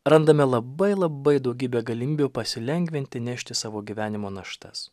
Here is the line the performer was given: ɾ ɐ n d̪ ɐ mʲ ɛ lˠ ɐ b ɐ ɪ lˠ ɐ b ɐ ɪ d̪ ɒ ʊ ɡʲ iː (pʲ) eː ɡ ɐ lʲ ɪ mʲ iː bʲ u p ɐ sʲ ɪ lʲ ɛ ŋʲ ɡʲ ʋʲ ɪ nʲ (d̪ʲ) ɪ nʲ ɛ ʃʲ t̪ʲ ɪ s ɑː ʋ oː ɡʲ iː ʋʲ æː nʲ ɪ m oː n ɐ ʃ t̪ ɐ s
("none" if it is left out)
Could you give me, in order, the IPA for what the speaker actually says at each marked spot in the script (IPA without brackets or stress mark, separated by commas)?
bʲ, t̪ʲ